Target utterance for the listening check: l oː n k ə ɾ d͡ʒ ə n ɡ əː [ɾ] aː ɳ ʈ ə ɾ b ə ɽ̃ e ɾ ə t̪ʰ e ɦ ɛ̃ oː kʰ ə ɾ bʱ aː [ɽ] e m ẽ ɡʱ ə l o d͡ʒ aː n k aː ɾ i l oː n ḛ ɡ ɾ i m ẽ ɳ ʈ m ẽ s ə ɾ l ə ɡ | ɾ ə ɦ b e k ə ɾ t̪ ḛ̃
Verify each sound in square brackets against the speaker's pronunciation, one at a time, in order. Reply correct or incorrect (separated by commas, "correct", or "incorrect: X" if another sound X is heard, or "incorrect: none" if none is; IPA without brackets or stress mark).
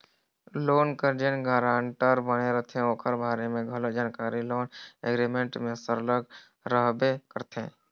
correct, incorrect: ɾ